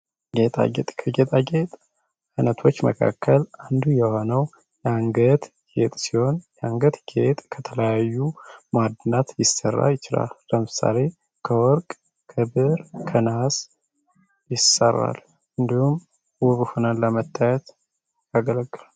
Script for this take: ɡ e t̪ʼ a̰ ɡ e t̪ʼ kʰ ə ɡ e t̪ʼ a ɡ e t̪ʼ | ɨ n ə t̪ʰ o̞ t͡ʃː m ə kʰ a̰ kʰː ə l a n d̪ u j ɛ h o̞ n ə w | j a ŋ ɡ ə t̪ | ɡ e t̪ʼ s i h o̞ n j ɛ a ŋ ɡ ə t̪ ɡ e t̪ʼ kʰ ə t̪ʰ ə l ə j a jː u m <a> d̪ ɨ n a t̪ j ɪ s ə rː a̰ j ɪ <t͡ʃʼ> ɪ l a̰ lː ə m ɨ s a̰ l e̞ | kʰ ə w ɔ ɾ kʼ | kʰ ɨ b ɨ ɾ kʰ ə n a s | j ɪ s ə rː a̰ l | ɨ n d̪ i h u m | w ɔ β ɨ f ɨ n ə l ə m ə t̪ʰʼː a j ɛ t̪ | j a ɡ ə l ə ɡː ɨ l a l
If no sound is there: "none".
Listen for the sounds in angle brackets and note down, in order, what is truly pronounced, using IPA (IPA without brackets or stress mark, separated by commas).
a, t͡ʃ